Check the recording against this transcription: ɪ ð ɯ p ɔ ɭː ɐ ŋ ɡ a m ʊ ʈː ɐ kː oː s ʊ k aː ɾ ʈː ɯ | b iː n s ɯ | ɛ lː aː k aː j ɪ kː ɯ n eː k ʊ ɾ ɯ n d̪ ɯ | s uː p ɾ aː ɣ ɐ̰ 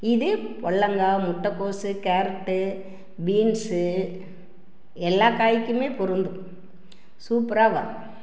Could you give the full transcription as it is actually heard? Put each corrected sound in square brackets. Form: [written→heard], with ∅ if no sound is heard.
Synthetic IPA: ɪ ð ɯ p ɔ ɭː ɐ ŋ ɡ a m ʊ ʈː ɐ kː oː s [ʊ→ɯ] k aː ɾ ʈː ɯ | b iː n s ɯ | ɛ lː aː k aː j ɪ kː ɯ [n→m] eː [k→p] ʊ ɾ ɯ n d̪ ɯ | s uː p ɾ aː ɣ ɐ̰